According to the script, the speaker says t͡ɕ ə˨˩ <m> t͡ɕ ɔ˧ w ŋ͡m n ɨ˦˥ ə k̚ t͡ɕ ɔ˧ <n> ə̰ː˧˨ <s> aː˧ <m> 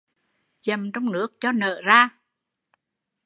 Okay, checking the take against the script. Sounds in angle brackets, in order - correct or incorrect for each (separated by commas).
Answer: correct, correct, incorrect, incorrect